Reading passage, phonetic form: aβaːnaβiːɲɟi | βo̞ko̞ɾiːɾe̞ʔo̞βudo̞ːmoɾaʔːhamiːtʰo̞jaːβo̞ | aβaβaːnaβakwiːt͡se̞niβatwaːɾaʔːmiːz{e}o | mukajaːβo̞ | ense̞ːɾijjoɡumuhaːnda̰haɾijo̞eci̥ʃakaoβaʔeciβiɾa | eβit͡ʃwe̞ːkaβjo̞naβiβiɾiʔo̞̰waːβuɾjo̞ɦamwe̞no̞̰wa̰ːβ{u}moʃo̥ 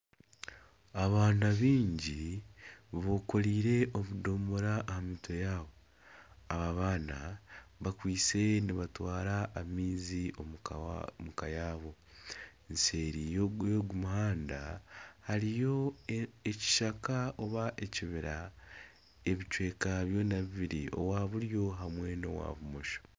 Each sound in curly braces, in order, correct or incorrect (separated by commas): incorrect, correct